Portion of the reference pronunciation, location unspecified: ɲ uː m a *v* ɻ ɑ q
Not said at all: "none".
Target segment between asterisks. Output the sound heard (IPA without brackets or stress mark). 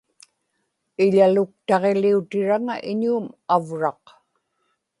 v